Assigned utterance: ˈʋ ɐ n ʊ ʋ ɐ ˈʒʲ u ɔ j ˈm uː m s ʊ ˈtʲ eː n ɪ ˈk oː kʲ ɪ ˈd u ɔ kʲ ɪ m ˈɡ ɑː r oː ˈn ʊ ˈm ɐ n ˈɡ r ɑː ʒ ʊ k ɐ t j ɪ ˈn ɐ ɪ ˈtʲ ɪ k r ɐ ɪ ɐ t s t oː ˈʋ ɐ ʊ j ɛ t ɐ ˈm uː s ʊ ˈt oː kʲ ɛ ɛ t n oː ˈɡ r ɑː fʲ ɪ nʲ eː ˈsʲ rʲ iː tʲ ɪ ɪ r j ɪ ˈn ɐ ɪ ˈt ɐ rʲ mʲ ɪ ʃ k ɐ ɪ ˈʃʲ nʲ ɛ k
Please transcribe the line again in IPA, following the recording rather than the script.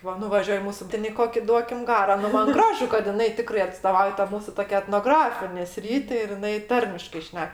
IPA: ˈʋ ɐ n ʊ ʋ ɐ ˈʒʲ u ɔ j ˈm uː s ʊ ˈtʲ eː n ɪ ˈk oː kʲ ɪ ˈd u ɔ kʲ ɪ m ˈɡ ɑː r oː ˈn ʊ ˈm ɐ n ˈɡ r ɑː ʒ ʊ k ɐ t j ɪ ˈn ɐ ɪ ˈtʲ ɪ k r ɐ ɪ ɐ t s t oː ˈʋ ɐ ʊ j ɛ t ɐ ˈm uː s ʊ ˈt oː kʲ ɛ ɛ t n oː ˈɡ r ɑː fʲ ɪ nʲ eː ˈsʲ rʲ iː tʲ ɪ ɪ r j ɪ ˈn ɐ ɪ ˈt ɐ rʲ mʲ ɪ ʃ k ɐ ɪ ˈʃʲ nʲ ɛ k

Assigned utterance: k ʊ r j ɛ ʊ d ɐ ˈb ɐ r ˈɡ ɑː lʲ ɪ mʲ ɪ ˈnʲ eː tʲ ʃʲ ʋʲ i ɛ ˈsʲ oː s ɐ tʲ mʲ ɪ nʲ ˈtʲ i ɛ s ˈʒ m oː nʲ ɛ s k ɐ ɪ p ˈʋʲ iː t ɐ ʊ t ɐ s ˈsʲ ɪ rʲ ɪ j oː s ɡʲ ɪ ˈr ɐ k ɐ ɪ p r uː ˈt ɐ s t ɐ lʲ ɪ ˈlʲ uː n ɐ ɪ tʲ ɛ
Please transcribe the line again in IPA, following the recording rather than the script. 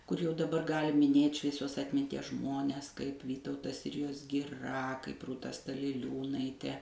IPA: k ʊ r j ɛ ʊ d ɐ ˈb ɐ r ˈɡ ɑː lʲ ɪ mʲ ɪ ˈnʲ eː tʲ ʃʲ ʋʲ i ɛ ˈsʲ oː s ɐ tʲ mʲ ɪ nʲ ˈtʲ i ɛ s ˈʒ m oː nʲ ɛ s k ɐ ɪ p ˈʋʲ iː t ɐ ʊ t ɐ s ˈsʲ ɪ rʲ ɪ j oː s ɡʲ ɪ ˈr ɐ k ɐ ɪ p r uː ˈt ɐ s t ɐ lʲ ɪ ˈlʲ uː n ɐ ɪ tʲ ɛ

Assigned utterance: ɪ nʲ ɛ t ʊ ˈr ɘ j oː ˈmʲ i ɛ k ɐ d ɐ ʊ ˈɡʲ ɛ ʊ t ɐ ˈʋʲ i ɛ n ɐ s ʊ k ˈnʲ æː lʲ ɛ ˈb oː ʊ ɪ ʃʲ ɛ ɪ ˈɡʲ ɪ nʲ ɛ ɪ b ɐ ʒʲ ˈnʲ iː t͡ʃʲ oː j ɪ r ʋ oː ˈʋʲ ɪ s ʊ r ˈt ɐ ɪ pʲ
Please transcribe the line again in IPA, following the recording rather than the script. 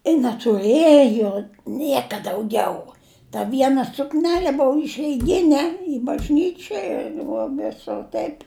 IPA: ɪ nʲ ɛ t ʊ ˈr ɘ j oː ˈnʲ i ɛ k ɐ d ɐ ʊ ˈɡʲ ɛ ʊ t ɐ ˈʋʲ i ɛ n ɐ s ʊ k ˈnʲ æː lʲ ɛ ˈb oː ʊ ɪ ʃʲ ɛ ɪ ˈɡʲ ɪ nʲ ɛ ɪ b ɐ ʒʲ ˈnʲ iː t͡ʃʲ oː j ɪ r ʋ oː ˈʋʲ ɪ s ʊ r ˈt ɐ ɪ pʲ

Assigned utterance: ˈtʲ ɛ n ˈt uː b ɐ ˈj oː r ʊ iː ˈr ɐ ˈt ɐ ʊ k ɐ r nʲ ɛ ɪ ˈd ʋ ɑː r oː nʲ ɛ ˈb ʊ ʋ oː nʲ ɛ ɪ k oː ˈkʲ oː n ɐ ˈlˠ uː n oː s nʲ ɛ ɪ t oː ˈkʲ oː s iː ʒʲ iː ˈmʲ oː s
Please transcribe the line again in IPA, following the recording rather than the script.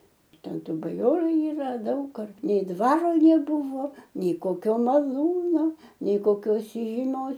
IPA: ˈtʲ ɛ n ˈt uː b ɐ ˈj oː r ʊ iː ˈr ɐ ˈd ɐ ʊ k ɐ r nʲ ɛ ɪ ˈd ʋ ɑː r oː nʲ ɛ ˈb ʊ ʋ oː nʲ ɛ ɪ k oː ˈkʲ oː m ɐ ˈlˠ uː n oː nʲ ɛ ɪ k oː ˈkʲ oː s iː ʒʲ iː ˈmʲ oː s

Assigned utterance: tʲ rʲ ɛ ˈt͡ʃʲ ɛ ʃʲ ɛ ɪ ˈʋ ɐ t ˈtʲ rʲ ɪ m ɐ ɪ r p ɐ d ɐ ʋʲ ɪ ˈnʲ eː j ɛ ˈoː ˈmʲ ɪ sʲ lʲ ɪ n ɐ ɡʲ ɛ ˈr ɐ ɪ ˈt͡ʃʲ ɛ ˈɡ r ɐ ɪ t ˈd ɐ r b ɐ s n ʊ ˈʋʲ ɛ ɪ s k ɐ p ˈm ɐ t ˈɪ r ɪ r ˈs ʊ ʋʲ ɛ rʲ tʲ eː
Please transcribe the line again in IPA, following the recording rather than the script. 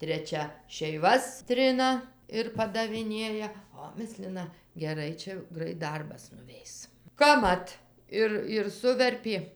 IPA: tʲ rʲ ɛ ˈt͡ʃʲ ɛ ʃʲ ɛ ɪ ˈʋ ɐ s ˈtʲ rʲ ɪ n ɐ ɪ r p ɐ d ɐ ʋʲ ɪ ˈnʲ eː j ɛ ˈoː ˈmʲ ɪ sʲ lʲ ɪ n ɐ ɡʲ ɛ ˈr ɐ ɪ ˈt͡ʃʲ ɛ ˈɡ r ɐ ɪ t ˈd ɐ r b ɐ s n ʊ ˈʋʲ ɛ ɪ s k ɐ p ˈm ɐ t ˈɪ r ɪ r ˈs ʊ ʋʲ ɛ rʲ pʲ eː

